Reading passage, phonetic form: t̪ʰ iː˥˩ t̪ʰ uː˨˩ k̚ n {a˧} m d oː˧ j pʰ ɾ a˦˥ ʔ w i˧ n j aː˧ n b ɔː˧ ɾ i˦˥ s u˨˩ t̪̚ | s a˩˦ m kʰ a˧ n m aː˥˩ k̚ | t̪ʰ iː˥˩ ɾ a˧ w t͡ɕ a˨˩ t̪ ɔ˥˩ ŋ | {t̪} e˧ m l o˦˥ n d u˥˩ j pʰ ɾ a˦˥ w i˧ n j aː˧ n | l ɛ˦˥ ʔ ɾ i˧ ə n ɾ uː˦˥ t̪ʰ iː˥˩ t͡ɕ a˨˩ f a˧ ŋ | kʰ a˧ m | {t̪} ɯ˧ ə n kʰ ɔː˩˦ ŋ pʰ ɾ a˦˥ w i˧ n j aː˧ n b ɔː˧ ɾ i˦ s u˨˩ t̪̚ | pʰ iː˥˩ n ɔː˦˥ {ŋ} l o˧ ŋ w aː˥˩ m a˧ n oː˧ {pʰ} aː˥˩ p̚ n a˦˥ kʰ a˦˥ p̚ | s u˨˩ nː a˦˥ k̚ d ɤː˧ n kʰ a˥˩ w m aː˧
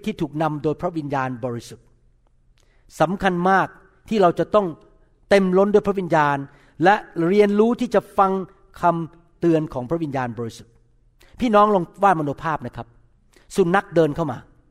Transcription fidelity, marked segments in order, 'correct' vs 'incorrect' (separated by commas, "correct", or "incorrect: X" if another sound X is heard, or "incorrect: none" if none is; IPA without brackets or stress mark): correct, correct, correct, correct, correct